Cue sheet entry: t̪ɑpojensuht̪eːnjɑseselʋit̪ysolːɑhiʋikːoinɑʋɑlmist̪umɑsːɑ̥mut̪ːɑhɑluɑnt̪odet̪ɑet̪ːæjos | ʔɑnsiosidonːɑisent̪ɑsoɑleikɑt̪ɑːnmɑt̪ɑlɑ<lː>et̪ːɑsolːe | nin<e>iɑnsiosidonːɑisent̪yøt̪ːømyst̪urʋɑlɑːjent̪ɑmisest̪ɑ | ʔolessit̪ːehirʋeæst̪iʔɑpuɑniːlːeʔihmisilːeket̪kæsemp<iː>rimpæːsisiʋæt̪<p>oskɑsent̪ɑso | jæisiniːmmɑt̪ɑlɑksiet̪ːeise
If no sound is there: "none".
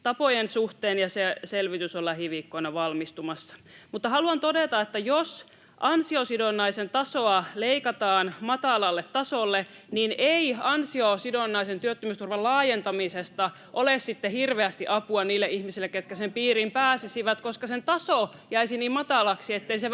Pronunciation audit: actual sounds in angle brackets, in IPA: lː, e, iː, k

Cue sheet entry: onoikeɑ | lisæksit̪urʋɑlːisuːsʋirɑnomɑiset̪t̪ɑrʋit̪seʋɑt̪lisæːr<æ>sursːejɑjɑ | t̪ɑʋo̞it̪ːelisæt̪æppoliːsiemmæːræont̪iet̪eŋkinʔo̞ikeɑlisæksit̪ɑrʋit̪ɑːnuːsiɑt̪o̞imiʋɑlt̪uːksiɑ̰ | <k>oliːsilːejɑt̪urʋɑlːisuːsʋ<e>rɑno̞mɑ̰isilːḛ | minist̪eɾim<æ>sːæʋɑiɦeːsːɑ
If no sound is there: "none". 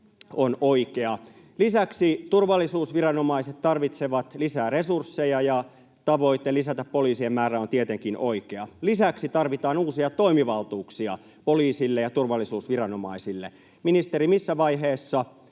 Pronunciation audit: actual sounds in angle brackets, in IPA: e, p, i, i

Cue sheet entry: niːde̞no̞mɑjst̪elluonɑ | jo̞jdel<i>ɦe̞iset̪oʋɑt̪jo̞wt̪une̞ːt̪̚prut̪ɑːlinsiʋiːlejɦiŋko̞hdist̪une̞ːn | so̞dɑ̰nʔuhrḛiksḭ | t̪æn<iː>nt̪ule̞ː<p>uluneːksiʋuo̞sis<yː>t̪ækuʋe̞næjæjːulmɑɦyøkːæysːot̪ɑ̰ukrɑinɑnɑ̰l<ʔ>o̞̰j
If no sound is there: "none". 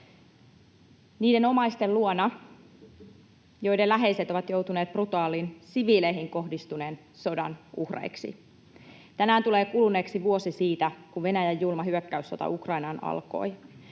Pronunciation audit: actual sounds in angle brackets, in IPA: æ, æː, k, iː, k

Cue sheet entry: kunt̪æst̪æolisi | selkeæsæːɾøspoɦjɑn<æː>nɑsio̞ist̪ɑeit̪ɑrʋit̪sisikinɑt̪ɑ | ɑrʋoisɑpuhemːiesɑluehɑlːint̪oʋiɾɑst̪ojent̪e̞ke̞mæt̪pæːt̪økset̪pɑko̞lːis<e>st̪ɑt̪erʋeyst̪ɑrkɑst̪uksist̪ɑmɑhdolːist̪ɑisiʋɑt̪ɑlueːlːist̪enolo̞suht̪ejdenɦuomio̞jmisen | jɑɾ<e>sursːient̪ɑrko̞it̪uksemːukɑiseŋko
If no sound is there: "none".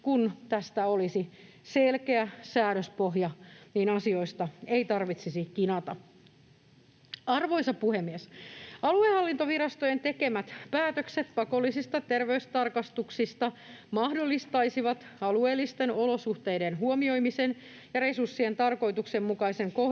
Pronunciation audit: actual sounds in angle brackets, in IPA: iː, i, e

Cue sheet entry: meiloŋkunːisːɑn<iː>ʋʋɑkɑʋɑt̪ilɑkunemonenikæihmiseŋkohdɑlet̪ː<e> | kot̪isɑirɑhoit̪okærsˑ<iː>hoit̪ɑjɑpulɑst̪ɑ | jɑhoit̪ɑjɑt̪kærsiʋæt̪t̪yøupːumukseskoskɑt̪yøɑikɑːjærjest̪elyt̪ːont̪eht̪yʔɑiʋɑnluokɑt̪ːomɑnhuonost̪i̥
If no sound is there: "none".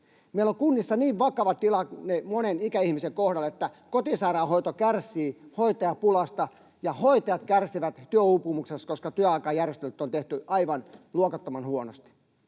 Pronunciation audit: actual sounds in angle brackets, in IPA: iː, æ, iː

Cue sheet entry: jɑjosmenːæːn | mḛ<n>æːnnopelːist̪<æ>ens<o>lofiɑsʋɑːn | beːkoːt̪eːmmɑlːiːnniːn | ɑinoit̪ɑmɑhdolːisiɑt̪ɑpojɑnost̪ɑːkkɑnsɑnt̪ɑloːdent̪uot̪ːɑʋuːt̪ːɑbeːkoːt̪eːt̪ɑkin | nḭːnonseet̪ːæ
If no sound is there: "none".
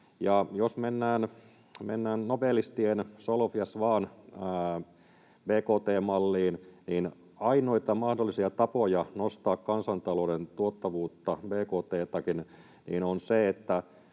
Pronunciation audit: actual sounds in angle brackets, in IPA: nː, i, o

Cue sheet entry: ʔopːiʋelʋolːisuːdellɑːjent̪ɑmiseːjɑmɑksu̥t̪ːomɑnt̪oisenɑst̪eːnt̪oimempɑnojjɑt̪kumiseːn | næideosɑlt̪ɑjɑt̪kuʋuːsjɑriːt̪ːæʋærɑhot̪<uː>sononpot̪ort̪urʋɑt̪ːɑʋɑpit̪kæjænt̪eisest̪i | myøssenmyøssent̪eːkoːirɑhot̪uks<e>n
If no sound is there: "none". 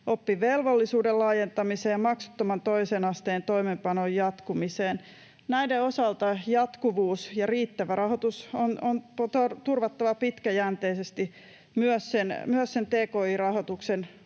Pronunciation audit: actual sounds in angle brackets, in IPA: u, e

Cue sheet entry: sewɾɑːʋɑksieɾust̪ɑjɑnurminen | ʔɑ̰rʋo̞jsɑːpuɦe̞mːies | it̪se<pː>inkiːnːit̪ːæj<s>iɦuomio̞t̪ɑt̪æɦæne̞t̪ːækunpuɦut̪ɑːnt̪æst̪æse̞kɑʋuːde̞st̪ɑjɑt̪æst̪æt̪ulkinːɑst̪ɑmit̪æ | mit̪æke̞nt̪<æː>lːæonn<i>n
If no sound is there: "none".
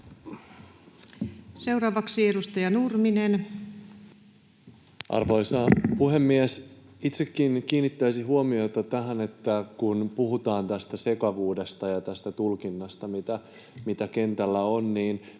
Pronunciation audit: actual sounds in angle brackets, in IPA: kː, s, æ, iː

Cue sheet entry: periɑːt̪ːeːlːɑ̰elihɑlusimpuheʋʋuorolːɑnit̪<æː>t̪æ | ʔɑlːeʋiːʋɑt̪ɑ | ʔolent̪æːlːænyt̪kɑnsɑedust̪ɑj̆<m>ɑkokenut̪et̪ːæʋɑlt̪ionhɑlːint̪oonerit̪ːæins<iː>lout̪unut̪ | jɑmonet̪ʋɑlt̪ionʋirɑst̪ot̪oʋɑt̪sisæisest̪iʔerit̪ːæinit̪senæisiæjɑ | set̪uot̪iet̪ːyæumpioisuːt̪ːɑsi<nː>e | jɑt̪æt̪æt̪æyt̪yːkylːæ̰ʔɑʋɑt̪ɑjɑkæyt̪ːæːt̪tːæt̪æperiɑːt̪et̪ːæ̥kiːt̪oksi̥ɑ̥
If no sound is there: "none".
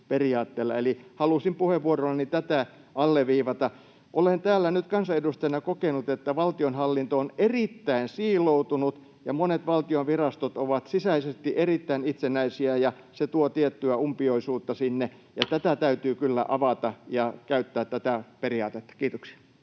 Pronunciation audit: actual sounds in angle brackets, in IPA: æ, n, iː, nː

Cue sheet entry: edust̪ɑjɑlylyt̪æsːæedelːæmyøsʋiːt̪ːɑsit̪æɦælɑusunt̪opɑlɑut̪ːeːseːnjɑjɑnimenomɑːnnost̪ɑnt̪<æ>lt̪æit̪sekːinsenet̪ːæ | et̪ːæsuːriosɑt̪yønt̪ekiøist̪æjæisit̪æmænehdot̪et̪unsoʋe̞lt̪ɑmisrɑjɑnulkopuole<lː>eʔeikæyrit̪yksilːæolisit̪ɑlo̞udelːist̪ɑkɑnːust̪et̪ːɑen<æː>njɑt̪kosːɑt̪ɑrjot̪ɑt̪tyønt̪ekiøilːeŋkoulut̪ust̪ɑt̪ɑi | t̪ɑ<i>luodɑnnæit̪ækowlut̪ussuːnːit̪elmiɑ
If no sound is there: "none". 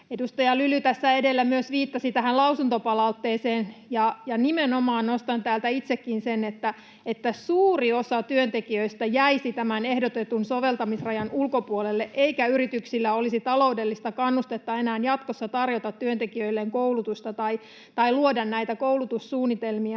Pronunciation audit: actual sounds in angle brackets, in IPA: æː, lː, æː, i

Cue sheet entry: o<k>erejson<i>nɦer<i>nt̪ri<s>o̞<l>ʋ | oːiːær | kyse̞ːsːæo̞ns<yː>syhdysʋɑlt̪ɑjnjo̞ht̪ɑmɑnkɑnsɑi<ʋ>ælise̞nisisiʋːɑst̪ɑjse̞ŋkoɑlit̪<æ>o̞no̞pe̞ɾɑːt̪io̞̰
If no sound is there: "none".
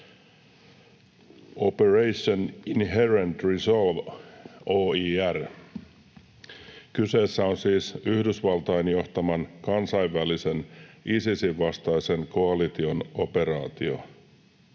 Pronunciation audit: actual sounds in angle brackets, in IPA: p, i, e, s, l, iː, ʋː, i

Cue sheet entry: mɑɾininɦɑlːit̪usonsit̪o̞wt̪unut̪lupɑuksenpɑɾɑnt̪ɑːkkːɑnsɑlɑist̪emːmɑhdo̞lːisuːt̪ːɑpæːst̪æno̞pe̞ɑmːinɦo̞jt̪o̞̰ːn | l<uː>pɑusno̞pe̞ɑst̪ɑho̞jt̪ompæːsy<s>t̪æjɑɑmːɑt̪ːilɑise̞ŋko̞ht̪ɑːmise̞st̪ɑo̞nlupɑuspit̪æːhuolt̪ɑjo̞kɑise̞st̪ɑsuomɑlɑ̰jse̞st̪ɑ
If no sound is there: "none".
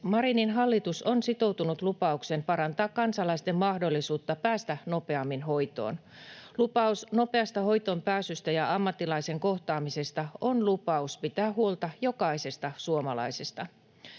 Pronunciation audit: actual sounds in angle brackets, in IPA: u, s

